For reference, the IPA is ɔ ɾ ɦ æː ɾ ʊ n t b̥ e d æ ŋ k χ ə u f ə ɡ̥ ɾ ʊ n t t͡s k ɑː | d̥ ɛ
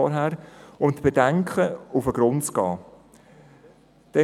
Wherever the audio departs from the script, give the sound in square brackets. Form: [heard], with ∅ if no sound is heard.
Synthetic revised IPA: ɔ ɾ ɦ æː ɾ ʊ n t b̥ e d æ ŋ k χ ə u f ə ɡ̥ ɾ ʊ n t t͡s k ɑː | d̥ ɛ

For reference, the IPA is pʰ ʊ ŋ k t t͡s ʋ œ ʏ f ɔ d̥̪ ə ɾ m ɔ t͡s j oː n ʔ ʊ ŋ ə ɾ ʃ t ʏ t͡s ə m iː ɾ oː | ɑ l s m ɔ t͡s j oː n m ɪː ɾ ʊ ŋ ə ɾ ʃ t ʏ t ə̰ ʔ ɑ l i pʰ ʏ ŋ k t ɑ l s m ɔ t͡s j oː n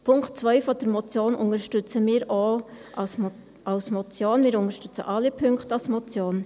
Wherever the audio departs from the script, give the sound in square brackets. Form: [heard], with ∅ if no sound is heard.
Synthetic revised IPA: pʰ ʊ ŋ k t t͡s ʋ œ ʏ f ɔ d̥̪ ə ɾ m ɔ t͡s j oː n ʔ ʊ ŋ ə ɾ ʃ t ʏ t͡s ə m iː ɾ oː | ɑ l s m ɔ t͡s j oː n m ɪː ɾ ʊ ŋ ə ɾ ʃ t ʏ [t͡s] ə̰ ʔ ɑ l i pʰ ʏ ŋ k t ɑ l s m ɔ t͡s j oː n

